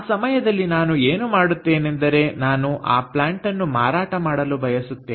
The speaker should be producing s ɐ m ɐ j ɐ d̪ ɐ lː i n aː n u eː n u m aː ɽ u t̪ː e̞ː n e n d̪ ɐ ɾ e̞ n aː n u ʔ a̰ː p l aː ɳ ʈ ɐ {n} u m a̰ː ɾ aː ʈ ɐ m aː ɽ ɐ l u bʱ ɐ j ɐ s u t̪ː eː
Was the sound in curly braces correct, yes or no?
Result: no